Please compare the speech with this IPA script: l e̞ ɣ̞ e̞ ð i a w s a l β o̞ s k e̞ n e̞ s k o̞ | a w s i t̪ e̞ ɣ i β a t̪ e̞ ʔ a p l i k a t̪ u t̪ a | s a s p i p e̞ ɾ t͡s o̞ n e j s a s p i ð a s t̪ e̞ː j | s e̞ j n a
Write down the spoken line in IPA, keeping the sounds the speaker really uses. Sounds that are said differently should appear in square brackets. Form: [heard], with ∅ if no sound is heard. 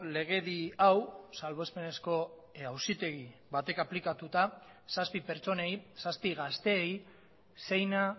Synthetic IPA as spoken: l e̞ ɣ̞ e̞ ð i a w s a l β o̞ s [p] e̞ n e̞ s k o̞ | a w s i t̪ e̞ ɣ i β a t̪ e̞ [k] a p l i k a t̪ u t̪ a | s a s p i p e̞ ɾ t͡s o̞ n e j s a s p i [ɣ] a s t̪ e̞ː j | s e̞ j n a